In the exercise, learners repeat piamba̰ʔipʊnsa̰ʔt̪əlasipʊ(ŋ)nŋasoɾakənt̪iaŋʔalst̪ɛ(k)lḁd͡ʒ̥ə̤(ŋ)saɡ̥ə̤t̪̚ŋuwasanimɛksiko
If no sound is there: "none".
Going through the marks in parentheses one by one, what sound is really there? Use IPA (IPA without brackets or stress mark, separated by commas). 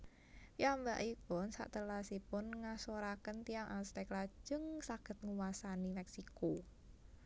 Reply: none, k, ŋ